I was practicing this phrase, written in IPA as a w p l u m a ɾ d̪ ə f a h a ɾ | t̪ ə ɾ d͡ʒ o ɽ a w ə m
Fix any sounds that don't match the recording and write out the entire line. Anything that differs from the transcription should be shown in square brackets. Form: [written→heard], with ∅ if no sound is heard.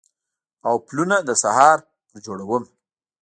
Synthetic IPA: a w p l u [m→n] a [ɾ→∅] d̪ ə [f→s] a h [a→ɑ] ɾ | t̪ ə ɾ d͡ʒ o ɽ a w ə m